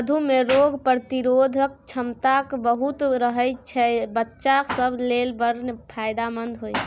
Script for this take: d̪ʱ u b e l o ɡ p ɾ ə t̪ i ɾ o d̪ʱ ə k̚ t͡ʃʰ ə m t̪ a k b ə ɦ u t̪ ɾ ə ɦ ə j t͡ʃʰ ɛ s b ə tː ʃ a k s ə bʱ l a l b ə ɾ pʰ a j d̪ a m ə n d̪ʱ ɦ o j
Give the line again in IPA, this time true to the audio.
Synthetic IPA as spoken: d̪ʱ u m e ɾ o ɡ p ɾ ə t̪ i ɾ o d̪ʱ ə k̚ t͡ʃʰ ə m t̪ a k b ə ɦ u t̪ ɾ ə ɦ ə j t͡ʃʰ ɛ b ə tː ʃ a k s ə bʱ l e l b ə ɾ pʰ a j d̪ a m ə n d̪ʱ ɦ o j